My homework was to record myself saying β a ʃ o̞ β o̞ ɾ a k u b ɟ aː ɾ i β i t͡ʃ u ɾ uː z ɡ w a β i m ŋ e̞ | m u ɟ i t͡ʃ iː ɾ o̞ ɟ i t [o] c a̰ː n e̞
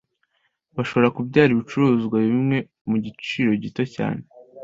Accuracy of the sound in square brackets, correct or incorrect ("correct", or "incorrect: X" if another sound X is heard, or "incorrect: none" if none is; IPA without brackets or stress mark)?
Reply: correct